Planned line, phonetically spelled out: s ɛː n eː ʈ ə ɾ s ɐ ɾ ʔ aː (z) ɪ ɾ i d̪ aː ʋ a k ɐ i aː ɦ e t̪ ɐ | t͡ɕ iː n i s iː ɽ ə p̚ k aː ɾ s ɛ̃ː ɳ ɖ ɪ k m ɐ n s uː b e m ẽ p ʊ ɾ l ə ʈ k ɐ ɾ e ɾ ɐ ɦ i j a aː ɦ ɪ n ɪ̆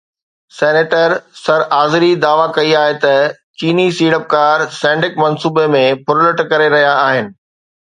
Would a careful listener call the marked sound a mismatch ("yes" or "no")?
no